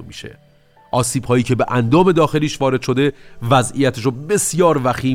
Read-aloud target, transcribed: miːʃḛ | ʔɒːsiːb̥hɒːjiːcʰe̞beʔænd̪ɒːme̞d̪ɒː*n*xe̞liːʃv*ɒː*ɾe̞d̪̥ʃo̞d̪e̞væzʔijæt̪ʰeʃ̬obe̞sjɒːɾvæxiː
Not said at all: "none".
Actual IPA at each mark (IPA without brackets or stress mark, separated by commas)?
none, ɒː